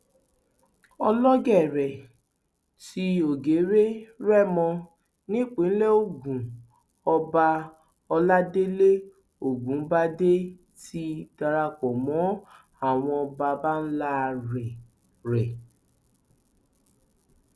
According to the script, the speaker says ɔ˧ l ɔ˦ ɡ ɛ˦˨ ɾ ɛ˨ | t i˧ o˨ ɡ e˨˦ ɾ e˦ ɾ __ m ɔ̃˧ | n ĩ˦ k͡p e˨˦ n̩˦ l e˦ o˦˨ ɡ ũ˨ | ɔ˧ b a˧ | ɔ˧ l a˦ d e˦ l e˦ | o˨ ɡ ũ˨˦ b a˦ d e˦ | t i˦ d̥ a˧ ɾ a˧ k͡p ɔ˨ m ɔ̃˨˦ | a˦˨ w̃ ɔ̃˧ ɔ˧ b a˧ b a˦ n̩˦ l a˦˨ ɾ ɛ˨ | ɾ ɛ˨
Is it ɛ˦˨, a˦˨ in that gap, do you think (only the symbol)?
ɛ˦˨